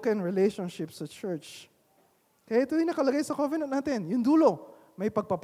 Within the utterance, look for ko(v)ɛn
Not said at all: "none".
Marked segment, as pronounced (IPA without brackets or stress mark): v